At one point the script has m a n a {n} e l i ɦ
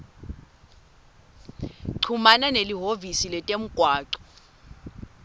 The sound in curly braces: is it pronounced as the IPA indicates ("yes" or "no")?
yes